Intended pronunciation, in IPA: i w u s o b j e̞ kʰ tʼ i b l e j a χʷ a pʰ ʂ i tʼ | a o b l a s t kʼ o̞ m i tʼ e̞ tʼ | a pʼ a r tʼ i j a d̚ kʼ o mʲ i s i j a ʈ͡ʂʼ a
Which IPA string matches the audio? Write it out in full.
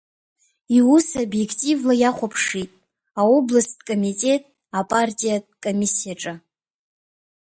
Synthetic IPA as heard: i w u s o b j e̞ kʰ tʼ i v l a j a χʷ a pʰ ʂ i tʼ | a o b l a s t kʼ o̞ m i tʼ e̞ tʼ | a pʼ a r tʼ i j a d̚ kʼ o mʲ i s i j a ʈ͡ʂʼ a